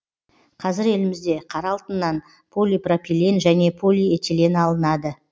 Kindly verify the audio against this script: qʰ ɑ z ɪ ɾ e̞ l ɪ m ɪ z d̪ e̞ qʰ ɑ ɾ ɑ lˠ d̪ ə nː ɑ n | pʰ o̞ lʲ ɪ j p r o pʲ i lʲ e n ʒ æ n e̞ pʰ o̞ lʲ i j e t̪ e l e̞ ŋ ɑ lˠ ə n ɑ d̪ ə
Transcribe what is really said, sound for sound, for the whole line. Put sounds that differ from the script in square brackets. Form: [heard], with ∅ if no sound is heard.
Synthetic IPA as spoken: qʰ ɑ z ɪ ɾ e̞ l ɪ m ɪ z d̪ e̞ qʰ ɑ ɾ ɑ lˠ [t̪] ə nː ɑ n | pʰ o̞ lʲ [i] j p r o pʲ i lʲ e n ʒ æ n e̞ pʰ o̞ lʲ i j e t̪ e l e̞ [n] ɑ lˠ ə n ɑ d̪ ə